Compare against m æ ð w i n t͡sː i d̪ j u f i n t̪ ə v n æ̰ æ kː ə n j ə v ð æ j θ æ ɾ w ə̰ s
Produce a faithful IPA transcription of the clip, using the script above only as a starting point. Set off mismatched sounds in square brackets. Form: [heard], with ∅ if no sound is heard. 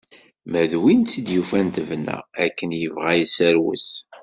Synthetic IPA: m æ ð w i n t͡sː i d̪ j u f [æ] n t̪ ə v n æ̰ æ kː ə n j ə v [ʁ] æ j [s] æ ɾ w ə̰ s